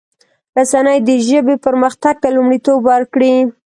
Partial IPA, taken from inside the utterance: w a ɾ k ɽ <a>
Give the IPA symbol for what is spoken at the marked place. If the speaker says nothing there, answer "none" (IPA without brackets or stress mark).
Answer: i